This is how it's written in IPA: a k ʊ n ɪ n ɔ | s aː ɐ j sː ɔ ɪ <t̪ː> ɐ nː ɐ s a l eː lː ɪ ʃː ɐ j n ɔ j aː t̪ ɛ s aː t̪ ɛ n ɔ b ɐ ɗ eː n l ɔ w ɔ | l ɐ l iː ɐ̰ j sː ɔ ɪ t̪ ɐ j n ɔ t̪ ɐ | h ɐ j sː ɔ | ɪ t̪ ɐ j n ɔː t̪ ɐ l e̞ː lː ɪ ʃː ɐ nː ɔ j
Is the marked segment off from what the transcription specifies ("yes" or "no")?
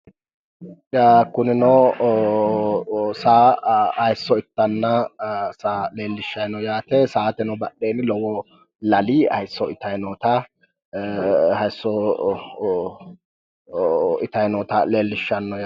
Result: no